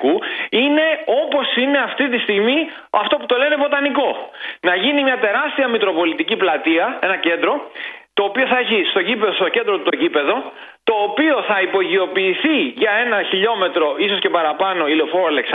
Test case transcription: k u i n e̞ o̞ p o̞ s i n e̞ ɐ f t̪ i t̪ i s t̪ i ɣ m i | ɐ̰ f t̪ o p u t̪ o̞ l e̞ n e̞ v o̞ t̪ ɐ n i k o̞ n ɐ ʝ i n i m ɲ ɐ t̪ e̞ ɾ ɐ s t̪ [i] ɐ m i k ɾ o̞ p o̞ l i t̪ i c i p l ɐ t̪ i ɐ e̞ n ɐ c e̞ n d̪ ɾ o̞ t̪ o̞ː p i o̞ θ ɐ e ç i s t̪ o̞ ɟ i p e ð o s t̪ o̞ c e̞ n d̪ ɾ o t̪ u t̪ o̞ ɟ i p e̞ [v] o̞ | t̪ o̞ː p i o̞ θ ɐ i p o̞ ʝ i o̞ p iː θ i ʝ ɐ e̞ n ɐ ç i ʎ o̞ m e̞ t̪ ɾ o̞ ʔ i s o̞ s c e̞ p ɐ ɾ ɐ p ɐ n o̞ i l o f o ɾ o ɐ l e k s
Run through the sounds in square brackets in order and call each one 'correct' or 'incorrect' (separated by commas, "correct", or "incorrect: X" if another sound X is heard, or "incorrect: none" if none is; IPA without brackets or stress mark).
correct, incorrect: ð